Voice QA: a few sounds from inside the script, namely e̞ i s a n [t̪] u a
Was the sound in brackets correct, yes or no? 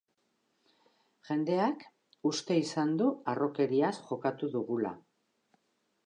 no